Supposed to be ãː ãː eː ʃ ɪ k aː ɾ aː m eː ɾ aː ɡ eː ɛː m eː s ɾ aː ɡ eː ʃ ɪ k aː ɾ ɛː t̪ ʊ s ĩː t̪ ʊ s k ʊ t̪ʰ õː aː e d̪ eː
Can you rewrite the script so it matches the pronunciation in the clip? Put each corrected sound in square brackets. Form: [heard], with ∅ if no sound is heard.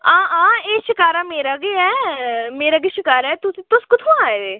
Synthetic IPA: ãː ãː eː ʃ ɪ k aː ɾ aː m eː ɾ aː ɡ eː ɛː m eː [∅] ɾ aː ɡ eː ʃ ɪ k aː ɾ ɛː t̪ ʊ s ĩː t̪ ʊ s k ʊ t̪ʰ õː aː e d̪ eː